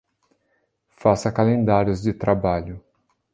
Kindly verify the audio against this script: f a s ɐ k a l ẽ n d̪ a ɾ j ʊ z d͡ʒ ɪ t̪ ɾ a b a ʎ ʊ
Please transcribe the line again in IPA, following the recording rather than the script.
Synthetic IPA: f a s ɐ k a l ẽ n d̪ a ɾ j ʊ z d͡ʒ ɪ t̪ ɾ a b a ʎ ʊ